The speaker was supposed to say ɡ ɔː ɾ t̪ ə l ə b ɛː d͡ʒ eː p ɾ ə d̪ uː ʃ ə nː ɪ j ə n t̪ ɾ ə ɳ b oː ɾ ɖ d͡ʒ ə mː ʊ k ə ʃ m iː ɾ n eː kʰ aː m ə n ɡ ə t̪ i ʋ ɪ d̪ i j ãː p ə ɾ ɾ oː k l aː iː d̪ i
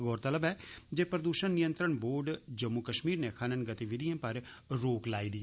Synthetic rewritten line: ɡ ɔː ɾ t̪ ə l ə b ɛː d͡ʒ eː p ɾ ə d̪ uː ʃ ə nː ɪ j ə n t̪ ɾ ə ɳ b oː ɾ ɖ d͡ʒ ə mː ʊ k ə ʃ m iː ɾ n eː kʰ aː n ə n ɡ ə t̪ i ʋ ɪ d̪ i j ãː p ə ɾ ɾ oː k l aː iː d̪ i